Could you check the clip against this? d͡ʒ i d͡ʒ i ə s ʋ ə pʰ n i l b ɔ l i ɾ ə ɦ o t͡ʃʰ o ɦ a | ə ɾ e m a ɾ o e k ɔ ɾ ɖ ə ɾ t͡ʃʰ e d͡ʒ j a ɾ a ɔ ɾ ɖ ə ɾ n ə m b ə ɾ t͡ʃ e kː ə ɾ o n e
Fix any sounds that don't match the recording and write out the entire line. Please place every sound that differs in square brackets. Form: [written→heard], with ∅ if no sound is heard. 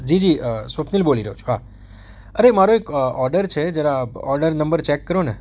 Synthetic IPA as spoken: d͡ʒ i d͡ʒ i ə s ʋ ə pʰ n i l b [ɔ→o] l i ɾ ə ɦ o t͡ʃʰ o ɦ a | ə ɾ e m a ɾ o e k ɔ ɾ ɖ ə ɾ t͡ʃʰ e d͡ʒ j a ɾ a ɔ ɾ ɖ ə ɾ n ə m b ə ɾ t͡ʃ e kː ə ɾ o n e